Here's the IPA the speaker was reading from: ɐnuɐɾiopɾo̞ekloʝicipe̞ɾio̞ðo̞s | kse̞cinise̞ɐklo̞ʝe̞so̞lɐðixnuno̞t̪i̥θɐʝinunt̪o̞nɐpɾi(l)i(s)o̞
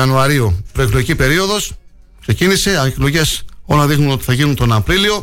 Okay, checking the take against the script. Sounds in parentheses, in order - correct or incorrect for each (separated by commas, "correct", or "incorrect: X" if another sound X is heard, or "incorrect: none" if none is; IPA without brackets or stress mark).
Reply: correct, incorrect: none